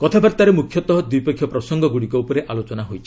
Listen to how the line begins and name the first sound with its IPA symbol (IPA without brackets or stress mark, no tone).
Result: k